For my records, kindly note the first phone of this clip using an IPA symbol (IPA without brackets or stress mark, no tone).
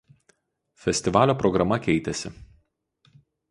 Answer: fʲ